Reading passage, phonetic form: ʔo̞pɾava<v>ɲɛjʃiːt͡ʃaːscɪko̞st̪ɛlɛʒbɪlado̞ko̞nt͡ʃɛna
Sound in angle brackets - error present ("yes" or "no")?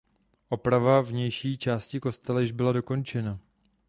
no